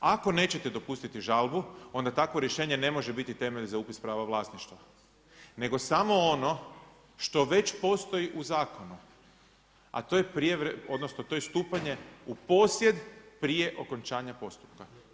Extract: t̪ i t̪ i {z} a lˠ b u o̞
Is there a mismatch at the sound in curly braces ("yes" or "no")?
yes